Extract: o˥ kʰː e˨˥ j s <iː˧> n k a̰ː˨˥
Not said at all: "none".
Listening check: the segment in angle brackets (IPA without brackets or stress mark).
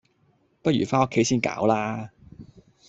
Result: iː˥